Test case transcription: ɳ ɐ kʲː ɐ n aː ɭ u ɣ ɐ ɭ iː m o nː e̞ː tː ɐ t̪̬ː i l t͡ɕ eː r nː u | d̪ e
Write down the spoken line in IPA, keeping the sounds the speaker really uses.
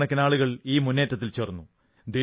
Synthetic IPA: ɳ ɐ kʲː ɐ n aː ɭ u ɣ ɐ ɭ iː m u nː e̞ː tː ɐ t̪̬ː i l t͡ɕ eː r nː u | d̪ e